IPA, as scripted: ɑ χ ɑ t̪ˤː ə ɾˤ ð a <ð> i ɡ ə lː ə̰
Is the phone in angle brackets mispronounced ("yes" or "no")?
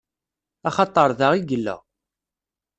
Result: yes